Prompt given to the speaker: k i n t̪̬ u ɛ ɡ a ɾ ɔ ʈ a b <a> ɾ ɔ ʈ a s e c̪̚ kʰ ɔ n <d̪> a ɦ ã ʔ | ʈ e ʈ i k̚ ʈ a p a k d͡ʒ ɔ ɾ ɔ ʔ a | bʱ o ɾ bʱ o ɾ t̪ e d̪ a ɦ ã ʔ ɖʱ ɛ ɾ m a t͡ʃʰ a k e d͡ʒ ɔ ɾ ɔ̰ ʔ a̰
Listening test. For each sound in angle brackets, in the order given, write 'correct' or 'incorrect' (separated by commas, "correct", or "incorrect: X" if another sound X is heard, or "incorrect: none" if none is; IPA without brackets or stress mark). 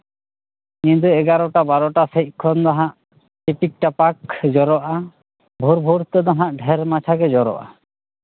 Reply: correct, correct